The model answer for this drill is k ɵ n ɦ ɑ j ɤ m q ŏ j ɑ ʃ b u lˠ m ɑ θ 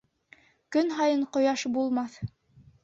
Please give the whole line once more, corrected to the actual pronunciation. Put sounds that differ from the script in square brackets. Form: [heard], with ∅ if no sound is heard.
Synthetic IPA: k ɵ n ɦ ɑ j ɤ [ɴ] q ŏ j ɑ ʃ b u lˠ m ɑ θ